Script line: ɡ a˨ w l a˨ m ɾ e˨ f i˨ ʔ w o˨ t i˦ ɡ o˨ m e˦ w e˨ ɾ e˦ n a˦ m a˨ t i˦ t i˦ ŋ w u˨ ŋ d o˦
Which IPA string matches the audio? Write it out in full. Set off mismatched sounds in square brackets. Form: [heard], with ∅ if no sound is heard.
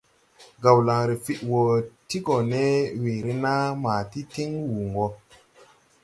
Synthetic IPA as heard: ɡ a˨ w l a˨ [ŋ] ɾ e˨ f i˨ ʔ w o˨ t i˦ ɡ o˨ [n] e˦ w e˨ ɾ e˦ n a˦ m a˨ t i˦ t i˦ ŋ w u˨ ŋ [ɡ] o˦

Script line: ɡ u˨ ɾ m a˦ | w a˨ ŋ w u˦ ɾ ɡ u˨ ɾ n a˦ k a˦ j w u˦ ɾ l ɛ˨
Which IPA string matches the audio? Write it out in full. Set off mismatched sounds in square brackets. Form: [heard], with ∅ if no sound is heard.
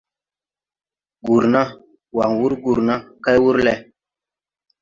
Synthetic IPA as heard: ɡ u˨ ɾ [n] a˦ | w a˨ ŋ w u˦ ɾ ɡ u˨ ɾ n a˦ k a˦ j w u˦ ɾ l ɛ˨

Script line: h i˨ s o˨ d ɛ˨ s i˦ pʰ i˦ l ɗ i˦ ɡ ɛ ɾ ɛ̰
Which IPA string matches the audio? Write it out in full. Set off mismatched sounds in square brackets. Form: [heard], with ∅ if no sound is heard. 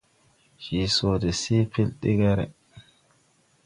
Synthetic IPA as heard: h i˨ s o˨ d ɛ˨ s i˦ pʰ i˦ l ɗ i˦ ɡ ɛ ɾ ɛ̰

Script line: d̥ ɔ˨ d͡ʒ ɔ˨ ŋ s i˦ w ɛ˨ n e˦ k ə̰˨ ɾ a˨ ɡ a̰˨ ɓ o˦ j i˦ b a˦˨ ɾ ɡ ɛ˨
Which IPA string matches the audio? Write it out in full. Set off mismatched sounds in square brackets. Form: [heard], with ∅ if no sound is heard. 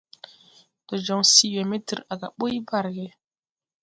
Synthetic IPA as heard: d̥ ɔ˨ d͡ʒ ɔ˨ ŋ s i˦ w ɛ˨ [m] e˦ [t] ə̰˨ ɾ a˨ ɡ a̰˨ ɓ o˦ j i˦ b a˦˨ ɾ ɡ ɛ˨

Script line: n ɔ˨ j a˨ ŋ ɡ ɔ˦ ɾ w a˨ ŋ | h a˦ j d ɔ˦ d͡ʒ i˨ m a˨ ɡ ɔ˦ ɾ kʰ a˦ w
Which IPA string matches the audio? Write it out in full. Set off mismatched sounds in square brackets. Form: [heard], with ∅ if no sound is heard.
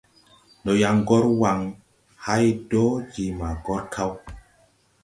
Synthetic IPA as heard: n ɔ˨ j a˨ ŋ ɡ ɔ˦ ɾ w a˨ ŋ | h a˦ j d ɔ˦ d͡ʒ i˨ m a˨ ɡ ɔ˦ ɾ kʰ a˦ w

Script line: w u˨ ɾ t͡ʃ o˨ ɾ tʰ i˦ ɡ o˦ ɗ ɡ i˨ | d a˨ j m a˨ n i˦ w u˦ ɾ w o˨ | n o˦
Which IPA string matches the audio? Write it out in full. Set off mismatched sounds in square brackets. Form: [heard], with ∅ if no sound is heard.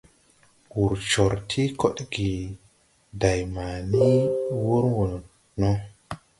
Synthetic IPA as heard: w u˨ ɾ t͡ʃ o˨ ɾ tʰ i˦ [k] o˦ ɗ ɡ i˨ | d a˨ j m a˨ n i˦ w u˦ ɾ w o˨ | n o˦

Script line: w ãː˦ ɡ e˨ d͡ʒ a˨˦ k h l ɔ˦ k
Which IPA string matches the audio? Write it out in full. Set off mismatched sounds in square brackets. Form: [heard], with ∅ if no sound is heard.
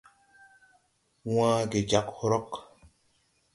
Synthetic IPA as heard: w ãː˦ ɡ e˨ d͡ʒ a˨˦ k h [ɾ] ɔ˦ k

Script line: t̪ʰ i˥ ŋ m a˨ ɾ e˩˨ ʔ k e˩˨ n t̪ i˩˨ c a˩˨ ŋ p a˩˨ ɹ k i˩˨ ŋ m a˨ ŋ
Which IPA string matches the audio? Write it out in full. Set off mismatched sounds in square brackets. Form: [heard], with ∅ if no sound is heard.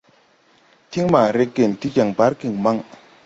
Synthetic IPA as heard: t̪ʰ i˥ ŋ m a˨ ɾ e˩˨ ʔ k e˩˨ n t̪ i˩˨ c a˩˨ ŋ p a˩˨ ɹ k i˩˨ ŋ m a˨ ŋ

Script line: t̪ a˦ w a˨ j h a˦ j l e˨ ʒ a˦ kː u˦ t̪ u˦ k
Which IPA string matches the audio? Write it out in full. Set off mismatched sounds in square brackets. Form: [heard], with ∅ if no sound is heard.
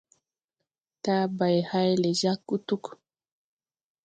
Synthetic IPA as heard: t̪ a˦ [b] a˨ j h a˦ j l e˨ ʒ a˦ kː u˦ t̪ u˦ k

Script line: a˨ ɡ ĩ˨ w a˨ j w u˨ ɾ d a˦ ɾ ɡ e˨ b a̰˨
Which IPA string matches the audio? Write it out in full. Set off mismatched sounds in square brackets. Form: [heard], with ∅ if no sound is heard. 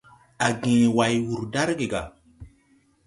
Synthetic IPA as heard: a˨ ɡ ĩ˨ w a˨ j w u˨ ɾ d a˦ ɾ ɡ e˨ [ɡ] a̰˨

